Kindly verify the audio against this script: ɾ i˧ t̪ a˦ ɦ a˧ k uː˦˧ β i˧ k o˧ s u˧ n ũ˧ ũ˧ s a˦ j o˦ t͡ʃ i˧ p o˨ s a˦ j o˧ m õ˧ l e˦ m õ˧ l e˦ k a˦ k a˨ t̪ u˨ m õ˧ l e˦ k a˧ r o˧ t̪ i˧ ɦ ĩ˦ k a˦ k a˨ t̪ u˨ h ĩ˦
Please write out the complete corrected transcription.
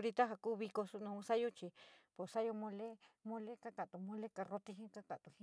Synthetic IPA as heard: ɾ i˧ t̪ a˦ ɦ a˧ k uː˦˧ β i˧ k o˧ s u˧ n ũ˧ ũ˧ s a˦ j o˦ t͡ʃ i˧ p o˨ s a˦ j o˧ m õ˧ l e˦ m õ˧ l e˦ k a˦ k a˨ t̪ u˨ m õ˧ l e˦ k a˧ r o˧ t̪ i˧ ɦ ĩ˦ k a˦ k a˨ t̪ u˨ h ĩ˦